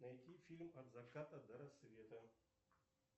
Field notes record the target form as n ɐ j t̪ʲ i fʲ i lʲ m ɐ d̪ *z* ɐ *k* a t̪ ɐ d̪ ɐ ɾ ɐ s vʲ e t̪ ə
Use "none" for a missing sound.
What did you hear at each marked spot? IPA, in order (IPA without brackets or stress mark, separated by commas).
v, k